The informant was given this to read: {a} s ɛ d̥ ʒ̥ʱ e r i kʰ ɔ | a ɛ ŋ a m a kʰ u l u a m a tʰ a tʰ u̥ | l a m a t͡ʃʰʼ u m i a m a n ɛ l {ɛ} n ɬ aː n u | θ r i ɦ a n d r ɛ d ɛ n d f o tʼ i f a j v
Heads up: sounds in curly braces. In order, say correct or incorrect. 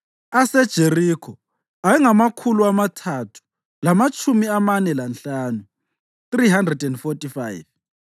correct, incorrect: a

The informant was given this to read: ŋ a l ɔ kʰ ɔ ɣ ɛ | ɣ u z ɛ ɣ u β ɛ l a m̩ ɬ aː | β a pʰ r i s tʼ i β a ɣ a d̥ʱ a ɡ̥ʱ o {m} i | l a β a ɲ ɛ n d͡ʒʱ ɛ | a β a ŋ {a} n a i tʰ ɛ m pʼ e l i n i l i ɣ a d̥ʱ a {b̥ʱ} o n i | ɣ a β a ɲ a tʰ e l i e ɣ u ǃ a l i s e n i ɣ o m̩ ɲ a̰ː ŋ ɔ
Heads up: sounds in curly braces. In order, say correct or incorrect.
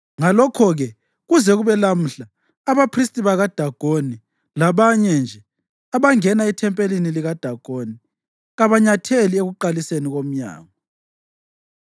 incorrect: n, incorrect: ɛ, incorrect: ɡ̥ʱ

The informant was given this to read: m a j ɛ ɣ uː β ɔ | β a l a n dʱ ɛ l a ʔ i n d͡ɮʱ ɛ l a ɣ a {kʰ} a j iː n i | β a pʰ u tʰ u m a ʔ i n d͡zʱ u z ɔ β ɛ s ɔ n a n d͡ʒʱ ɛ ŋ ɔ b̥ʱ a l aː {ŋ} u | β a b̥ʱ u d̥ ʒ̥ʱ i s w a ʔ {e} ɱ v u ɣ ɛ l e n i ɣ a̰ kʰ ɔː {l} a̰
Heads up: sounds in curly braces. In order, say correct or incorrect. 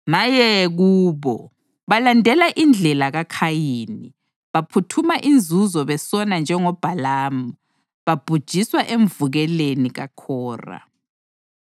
correct, incorrect: m, correct, incorrect: r

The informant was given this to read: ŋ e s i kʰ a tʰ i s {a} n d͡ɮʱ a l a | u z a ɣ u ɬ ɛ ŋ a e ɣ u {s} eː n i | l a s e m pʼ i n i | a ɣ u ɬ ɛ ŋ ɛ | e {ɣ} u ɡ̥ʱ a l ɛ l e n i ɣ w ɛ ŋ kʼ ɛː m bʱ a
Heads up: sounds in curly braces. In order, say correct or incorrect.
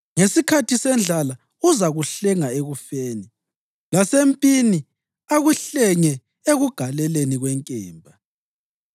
incorrect: ɛ, incorrect: f, correct

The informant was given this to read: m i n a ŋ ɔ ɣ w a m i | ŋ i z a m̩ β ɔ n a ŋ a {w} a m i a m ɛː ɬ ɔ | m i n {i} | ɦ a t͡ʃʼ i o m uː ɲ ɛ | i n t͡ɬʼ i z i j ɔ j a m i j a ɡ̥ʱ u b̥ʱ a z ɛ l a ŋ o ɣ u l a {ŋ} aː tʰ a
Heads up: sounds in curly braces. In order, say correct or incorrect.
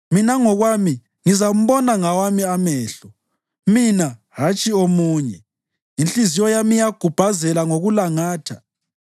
correct, incorrect: a, correct

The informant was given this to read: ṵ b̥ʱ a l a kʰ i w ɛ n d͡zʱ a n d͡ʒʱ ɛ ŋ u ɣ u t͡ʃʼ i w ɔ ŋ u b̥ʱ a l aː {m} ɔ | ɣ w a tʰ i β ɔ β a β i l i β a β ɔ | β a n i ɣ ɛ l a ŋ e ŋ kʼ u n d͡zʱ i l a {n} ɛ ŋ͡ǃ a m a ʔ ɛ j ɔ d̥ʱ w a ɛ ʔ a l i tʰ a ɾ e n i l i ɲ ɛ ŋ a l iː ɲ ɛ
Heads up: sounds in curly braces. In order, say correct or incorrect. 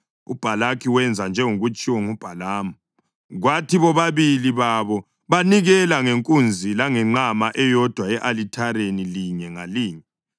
correct, incorrect: ŋ

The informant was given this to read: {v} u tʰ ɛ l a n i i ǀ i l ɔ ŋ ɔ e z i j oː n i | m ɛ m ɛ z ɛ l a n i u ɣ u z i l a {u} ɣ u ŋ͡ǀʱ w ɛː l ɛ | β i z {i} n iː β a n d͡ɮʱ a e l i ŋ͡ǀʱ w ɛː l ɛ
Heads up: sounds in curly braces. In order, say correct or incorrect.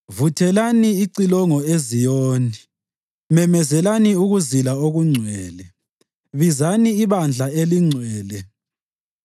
correct, incorrect: o, incorrect: a

